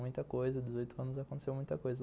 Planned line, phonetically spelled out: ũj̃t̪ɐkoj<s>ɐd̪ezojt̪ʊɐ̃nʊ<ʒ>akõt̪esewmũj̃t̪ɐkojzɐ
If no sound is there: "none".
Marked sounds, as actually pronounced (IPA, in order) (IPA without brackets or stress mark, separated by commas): z, z